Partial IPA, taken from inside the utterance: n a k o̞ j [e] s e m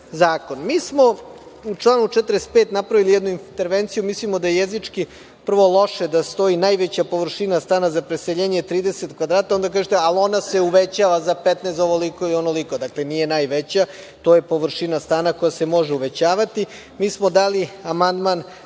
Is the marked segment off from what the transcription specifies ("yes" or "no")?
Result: yes